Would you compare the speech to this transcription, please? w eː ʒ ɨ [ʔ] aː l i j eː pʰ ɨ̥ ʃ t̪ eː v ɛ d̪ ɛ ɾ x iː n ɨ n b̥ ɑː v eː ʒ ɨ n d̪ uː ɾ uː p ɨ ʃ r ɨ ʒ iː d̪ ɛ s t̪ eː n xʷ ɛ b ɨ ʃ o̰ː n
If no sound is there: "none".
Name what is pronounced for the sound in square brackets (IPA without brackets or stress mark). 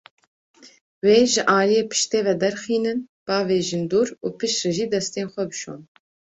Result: ʔ